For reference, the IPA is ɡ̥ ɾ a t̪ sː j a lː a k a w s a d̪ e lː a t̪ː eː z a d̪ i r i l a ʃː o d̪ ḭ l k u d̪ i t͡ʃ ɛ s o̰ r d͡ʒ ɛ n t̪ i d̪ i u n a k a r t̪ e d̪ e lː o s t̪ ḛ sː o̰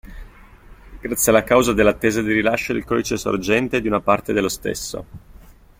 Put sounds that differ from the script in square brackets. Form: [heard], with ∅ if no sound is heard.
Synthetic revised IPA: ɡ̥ ɾ a t̪ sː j a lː a k a w [z] a d̪ e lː a t̪ː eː z a d̪ i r i l a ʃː o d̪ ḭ l k [ɔ] d̪ i t͡ʃ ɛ s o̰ r d͡ʒ ɛ n t̪ [e] d̪ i u n a [p] a r t̪ e d̪ e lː o s t̪ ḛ sː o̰